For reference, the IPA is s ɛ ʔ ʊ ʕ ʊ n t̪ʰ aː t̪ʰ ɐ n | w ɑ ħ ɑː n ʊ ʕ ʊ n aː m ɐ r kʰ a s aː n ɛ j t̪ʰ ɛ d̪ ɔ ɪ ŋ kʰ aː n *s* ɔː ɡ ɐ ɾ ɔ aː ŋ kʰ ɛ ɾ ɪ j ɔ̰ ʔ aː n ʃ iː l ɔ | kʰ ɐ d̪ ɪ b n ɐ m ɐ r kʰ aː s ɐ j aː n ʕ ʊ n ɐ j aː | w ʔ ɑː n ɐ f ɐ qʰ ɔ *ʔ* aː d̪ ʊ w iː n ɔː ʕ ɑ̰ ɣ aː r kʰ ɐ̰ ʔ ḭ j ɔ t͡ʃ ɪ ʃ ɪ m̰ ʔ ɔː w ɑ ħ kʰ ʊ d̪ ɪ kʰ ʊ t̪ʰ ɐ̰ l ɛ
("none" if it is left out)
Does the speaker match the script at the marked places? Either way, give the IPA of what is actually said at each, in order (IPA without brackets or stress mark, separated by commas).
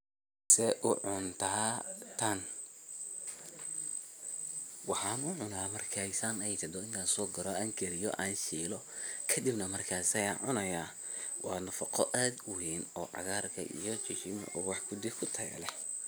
s, ʔ